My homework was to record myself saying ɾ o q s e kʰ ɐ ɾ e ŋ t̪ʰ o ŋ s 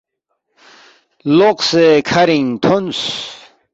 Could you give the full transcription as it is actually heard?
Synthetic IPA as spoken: l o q s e kʰ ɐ ɾ i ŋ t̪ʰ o n s